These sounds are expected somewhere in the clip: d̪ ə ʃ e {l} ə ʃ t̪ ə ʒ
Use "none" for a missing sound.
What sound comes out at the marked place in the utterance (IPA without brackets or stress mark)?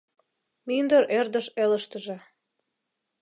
l